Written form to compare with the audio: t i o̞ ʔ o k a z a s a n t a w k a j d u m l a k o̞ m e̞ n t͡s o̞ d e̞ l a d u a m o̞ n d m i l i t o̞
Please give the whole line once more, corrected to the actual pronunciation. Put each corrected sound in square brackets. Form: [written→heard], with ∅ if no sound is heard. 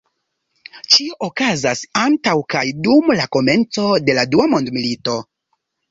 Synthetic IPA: [t→t͡ʃ] i o̞ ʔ o k a z a s a n t a w k a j d u m l a k o̞ m e̞ n t͡s o̞ d e̞ l a d u a m o̞ n d m i l i t o̞